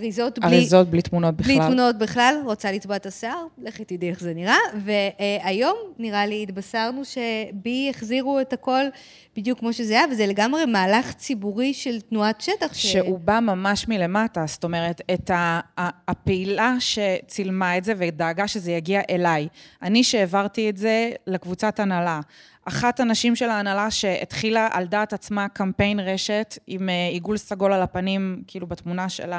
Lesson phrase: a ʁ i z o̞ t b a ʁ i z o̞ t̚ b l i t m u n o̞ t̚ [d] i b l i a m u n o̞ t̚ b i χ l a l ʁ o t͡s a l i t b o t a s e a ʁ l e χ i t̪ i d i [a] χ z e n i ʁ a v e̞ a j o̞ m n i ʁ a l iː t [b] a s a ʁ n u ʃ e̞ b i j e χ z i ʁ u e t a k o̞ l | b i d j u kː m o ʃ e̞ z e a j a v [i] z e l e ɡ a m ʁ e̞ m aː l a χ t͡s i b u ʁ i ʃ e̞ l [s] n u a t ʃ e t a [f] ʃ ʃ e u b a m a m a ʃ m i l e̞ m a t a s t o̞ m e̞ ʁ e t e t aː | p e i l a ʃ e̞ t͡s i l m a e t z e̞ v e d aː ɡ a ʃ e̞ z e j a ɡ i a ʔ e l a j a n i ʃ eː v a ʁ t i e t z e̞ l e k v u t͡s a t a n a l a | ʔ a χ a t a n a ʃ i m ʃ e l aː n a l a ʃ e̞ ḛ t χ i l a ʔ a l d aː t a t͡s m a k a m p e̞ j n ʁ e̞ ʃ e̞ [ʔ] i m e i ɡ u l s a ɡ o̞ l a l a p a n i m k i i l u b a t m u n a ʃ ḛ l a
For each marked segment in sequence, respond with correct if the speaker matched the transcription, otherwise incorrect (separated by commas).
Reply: incorrect, incorrect, correct, incorrect, incorrect, incorrect, incorrect